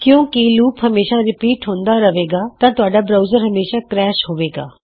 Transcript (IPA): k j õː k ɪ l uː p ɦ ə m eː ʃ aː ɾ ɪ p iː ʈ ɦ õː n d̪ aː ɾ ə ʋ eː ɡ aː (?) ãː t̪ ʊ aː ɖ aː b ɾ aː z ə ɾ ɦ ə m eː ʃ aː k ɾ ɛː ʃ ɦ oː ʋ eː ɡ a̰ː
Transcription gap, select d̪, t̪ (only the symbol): t̪